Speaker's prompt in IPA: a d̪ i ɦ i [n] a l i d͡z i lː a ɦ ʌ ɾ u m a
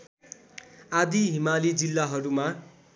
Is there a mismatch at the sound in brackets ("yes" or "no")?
yes